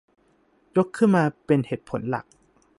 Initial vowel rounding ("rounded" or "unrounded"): rounded